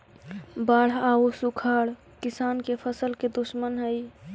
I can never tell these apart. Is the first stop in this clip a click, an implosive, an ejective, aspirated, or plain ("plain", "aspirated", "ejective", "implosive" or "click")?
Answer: plain